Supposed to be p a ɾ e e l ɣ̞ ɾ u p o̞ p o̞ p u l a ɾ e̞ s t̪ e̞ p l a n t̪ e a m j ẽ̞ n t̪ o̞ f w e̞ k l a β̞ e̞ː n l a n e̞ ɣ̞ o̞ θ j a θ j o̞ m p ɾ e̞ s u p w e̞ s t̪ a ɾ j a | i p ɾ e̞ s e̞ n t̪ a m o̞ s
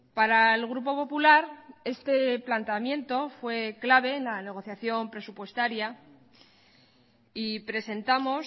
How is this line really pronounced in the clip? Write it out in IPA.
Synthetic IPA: p a ɾ a e l ɣ̞ ɾ u p o̞ p o̞ p u l a ɾ e̞ s t̪ e̞ p l a n t̪ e a m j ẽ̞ n t̪ o̞ f w e̞ k l a β̞ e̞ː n l a n e̞ ɣ̞ o̞ θ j a θ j o̞ m p ɾ e̞ s u p w e̞ s t̪ a ɾ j a | i p ɾ e̞ s e̞ n t̪ a m o̞ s